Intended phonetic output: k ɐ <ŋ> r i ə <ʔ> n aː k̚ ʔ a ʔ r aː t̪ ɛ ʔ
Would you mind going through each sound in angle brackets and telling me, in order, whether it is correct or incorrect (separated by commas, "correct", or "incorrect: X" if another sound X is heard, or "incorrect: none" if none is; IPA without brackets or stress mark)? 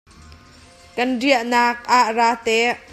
incorrect: n, correct